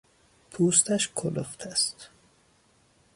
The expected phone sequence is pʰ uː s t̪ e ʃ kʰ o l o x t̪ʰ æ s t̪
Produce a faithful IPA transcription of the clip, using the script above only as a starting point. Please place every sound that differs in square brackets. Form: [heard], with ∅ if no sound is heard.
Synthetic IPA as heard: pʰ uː s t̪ [æ] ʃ kʰ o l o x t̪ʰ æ s t̪